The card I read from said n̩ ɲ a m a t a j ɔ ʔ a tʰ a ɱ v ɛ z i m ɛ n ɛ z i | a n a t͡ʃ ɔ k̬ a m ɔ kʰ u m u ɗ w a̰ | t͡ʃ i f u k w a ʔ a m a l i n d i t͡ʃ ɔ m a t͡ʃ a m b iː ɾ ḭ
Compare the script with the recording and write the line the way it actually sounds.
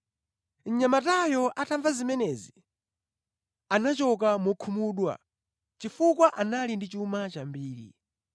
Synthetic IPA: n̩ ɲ a m a t a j ɔ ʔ a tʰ a ɱ v a z i m ɛ n ɛ z i | a n a t͡ʃ ɔ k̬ a m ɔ kʰ u m u ɗ w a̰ | t͡ʃ i f u k w a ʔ a n a l i n d i t͡ʃ u m a t͡ʃ a m b iː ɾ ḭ